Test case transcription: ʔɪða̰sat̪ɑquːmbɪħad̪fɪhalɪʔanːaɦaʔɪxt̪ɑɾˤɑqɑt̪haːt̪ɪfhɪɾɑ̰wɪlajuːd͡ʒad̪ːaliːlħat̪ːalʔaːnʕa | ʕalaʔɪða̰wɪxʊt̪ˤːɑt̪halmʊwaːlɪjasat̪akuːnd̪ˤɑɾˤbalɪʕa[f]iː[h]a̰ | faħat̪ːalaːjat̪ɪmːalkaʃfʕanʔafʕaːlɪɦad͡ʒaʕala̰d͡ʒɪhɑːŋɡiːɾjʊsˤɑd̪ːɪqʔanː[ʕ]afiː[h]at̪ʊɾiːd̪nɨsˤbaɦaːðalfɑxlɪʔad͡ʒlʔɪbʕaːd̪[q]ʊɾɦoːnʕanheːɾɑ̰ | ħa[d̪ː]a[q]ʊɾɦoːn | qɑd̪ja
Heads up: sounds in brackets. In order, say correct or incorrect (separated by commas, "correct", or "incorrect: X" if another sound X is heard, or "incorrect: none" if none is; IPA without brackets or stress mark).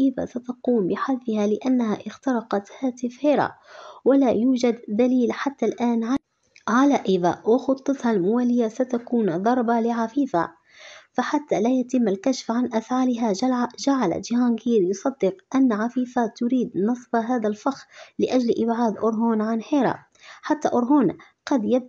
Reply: correct, incorrect: f, correct, incorrect: f, incorrect: ʔ, incorrect: t̪ː, incorrect: ʔ